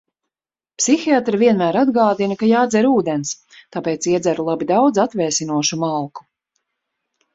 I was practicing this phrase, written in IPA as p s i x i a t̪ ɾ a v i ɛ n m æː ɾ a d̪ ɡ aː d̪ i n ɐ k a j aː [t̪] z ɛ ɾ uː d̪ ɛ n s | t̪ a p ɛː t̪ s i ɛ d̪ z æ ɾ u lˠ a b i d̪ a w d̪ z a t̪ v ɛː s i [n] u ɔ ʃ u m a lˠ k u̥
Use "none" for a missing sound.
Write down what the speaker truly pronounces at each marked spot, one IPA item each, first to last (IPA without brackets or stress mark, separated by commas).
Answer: d̪, n